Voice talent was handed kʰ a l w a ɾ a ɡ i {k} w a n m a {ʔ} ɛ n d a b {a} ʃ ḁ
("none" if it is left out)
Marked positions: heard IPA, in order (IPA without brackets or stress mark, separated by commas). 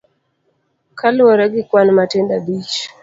k, t, i